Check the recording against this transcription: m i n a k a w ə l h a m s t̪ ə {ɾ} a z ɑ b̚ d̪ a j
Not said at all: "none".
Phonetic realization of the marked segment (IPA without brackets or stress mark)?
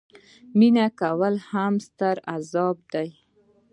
ɾ